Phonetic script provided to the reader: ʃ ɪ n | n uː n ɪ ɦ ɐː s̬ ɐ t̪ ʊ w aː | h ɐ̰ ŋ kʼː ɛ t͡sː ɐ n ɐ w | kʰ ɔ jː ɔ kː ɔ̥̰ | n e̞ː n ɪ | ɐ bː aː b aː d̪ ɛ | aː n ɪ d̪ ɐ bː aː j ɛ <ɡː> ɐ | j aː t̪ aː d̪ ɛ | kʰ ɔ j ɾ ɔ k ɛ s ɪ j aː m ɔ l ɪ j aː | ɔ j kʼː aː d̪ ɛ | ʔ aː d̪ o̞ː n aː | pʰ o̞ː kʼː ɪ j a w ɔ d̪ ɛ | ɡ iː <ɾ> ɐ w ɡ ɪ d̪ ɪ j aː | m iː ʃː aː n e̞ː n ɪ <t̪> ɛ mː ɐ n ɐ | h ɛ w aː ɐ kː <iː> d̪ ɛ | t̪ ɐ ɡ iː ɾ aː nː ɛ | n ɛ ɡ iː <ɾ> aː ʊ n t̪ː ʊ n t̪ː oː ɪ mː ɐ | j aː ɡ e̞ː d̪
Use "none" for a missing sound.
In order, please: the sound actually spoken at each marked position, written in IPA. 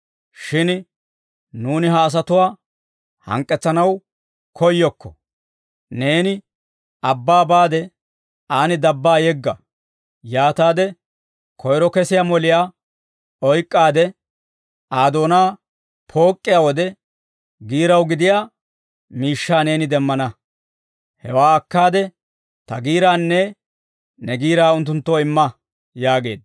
ɡː, ɾ, d̪, aː, ɾ

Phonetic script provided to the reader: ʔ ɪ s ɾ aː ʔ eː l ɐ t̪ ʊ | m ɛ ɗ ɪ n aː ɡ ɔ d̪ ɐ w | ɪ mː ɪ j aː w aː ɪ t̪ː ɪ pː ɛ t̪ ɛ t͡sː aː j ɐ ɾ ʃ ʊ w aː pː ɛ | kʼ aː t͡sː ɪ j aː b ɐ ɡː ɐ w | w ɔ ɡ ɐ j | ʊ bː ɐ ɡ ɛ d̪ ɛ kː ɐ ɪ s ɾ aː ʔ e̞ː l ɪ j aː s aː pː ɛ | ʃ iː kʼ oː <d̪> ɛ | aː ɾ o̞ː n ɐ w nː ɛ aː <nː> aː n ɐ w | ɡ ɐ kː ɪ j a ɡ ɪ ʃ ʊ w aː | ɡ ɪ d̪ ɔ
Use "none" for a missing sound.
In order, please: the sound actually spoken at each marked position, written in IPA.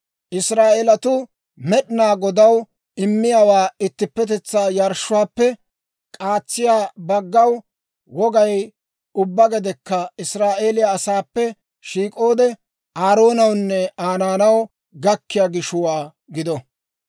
d̪, n

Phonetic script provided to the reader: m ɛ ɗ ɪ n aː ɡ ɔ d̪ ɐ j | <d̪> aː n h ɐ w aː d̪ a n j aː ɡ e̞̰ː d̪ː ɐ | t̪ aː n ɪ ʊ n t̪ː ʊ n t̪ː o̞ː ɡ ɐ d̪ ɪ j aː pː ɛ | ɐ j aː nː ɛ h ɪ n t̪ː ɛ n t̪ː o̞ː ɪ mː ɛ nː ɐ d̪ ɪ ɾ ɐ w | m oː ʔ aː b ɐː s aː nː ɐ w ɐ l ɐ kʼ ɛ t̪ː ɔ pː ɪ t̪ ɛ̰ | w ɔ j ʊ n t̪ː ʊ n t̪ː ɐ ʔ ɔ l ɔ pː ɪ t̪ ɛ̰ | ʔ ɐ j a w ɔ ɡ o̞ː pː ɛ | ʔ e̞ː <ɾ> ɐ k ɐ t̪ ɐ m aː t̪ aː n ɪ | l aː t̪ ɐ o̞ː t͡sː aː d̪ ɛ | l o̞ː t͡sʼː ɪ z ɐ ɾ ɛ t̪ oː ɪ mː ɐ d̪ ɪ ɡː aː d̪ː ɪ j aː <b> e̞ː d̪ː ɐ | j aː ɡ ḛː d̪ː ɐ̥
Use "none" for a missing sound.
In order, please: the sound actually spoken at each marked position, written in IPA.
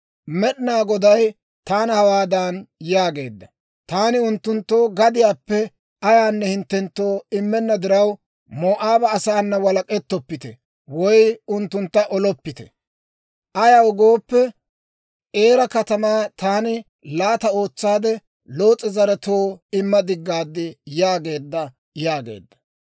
t̪, ɾ, ɡ

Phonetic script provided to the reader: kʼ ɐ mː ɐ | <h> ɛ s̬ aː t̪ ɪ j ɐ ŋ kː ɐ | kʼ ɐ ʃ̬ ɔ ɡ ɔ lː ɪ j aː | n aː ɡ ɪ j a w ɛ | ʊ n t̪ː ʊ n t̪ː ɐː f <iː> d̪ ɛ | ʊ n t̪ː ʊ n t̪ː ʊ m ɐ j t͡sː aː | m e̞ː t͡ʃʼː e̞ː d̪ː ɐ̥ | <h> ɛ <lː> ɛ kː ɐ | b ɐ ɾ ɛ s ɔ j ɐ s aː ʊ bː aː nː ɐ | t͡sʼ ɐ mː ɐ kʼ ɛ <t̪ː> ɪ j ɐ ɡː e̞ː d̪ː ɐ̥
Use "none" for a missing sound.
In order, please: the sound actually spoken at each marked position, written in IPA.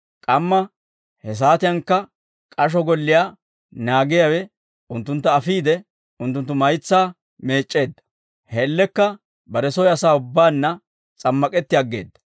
h, iː, h, lː, t̪ː

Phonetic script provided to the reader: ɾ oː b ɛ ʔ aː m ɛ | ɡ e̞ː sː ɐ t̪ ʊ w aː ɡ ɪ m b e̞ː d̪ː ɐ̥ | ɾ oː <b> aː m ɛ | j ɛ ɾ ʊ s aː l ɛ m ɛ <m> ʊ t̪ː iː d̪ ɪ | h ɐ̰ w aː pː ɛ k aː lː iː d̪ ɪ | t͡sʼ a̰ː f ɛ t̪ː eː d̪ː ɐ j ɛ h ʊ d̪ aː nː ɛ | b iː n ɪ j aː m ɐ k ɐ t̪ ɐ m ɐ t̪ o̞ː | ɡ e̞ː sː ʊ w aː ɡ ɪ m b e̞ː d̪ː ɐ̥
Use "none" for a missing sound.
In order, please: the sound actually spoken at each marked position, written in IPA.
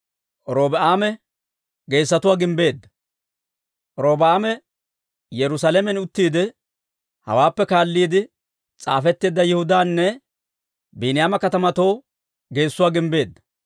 b, n

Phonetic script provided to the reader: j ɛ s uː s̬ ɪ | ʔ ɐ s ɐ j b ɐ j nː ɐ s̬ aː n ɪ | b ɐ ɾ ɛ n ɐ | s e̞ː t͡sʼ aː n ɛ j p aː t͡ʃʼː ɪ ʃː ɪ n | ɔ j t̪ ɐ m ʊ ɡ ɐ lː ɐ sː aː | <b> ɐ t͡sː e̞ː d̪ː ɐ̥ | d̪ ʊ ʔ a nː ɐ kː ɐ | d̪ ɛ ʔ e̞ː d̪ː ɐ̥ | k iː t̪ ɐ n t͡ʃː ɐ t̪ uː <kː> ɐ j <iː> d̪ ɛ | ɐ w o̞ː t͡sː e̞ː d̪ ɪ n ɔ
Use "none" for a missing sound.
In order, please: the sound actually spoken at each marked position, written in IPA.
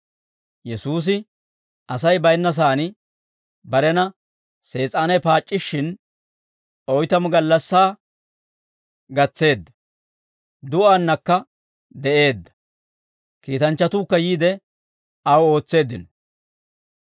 ɡ, kː, iː

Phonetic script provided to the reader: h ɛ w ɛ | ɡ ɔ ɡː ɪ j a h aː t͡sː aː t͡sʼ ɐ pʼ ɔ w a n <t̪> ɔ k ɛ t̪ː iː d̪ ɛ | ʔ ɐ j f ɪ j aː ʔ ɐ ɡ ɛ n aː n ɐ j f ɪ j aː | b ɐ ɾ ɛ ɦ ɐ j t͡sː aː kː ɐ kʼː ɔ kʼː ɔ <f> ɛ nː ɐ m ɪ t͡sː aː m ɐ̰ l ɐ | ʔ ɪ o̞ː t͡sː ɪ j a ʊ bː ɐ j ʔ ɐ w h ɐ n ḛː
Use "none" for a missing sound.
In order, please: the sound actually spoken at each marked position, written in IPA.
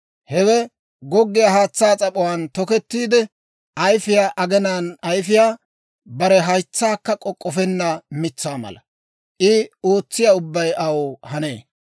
t̪, f

